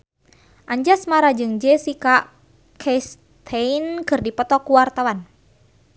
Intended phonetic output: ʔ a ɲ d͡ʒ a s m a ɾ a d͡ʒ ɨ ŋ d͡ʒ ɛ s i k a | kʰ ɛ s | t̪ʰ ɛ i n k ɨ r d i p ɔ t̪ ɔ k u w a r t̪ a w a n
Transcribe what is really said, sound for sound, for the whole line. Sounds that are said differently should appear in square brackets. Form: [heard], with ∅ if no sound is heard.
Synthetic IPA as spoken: ʔ a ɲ d͡ʒ a s m a ɾ a d͡ʒ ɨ ŋ d͡ʒ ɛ s i k a | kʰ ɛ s | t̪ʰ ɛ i n k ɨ r d i p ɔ t̪ ɔ k u w a r t̪ a w a n